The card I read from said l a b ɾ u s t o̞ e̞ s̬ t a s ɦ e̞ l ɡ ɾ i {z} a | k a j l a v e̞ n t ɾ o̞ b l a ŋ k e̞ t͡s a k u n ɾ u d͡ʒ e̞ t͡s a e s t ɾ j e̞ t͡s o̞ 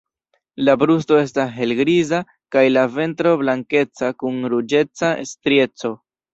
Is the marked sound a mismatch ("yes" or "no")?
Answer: no